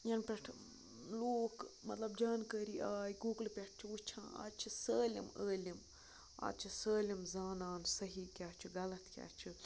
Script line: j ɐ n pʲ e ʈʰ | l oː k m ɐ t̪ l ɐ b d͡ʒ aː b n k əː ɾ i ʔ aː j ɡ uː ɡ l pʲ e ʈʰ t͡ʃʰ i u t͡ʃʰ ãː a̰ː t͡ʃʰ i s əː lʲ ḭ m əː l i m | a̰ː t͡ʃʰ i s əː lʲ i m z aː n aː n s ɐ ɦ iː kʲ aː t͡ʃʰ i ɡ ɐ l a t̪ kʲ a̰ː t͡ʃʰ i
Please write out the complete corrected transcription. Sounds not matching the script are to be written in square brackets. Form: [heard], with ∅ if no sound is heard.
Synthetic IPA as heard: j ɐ n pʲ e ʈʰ | l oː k m ɐ t̪ l ɐ b d͡ʒ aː [∅] n k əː ɾ i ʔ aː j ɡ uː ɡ l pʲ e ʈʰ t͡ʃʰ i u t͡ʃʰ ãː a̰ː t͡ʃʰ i s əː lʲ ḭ m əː l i m | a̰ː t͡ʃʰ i s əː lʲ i m z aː n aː n s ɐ ɦ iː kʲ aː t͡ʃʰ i ɡ ɐ l [ɐ] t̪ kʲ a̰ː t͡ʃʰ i